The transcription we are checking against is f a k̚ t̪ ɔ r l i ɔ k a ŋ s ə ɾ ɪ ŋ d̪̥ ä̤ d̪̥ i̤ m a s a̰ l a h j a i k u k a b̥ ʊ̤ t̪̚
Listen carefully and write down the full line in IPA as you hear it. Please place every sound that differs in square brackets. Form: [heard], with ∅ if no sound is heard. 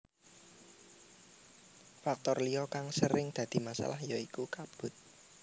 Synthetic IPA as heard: f a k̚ t̪ ɔ r l i ɔ k a ŋ s ə ɾ ɪ ŋ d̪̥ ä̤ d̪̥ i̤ m a s a̰ l a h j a i k u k a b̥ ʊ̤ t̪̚